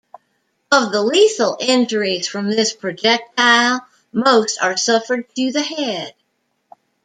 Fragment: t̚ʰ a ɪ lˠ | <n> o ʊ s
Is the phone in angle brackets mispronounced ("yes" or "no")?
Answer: yes